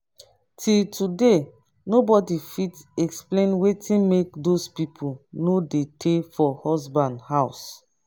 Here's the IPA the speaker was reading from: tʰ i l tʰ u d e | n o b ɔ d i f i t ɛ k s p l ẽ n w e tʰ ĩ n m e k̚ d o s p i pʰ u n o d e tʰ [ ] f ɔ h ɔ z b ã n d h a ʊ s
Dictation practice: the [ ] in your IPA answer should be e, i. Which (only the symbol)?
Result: e